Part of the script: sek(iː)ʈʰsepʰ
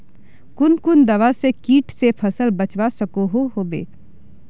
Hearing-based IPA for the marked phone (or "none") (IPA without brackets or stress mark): iː